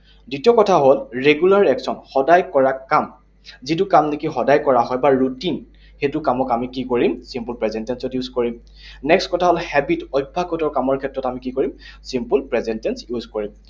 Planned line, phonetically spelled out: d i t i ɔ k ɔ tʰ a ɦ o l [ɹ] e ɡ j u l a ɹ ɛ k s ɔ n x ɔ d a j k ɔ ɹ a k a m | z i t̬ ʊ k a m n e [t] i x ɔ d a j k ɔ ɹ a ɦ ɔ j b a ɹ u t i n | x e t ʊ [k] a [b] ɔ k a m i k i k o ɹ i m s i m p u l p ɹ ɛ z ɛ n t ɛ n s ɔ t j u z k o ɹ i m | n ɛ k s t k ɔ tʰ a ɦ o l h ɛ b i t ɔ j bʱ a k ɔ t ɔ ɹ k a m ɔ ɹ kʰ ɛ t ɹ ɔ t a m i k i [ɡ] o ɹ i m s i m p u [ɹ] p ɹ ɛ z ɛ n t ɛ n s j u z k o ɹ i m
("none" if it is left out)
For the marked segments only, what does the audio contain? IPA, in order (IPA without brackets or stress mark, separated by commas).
ɹ, k, k, m, k, l